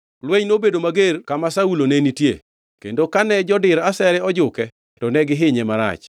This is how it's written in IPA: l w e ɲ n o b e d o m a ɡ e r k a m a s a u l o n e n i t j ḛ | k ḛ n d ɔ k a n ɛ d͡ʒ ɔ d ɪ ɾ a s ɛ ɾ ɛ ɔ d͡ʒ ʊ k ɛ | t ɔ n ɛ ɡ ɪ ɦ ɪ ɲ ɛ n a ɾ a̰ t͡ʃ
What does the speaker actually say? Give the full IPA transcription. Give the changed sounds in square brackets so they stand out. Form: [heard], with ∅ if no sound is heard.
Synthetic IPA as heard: l w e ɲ n o b e d o m a ɡ e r k a m a s a u l o n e n i t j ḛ | k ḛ n d [o] k a n ɛ d͡ʒ ɔ d ɪ ɾ a s ɛ ɾ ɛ ɔ d͡ʒ ʊ k ɛ | t ɔ n ɛ ɡ ɪ ɦ ɪ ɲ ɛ [m] a ɾ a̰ t͡ʃ